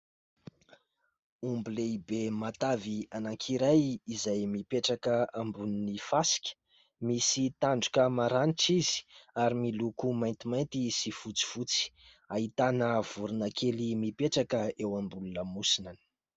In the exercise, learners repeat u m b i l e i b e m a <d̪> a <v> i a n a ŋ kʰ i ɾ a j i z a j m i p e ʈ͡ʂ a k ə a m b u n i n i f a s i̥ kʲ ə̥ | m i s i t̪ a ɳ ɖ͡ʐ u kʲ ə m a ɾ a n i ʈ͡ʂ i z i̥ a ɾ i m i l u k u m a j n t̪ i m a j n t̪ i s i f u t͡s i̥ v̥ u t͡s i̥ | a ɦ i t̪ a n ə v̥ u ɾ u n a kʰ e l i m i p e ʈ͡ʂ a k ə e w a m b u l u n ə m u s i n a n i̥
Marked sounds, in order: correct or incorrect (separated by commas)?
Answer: incorrect, correct